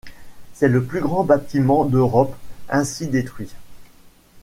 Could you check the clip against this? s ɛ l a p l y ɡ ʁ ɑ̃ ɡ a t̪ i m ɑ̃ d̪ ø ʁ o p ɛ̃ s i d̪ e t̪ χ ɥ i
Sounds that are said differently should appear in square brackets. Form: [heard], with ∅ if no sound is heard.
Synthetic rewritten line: s ɛ l [ə] p l y ɡ ʁ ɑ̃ [b] a t̪ i m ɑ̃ d̪ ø ʁ [ɔ] p ɛ̃ s i d̪ e t̪ χ ɥ i